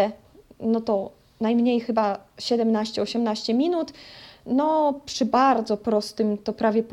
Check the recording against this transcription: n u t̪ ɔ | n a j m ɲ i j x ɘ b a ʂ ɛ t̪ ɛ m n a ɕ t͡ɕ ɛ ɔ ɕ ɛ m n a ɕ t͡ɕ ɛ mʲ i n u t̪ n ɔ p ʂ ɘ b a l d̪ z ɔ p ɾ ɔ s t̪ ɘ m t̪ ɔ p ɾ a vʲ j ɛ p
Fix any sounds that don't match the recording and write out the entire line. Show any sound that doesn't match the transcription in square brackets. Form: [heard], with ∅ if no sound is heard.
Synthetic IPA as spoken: n [ɔ] t̪ ɔ | n a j m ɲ [e] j x ɘ b a [ɕ] ɛ [d̪] ɛ m n a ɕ t͡ɕ ɛ ɔ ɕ ɛ m n a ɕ t͡ɕ ɛ mʲ i n u t̪ n ɔ p ʂ ɘ b a [ɾ] d̪ z ɔ p ɾ ɔ s t̪ ɘ m t̪ ɔ p ɾ a vʲ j ɛ p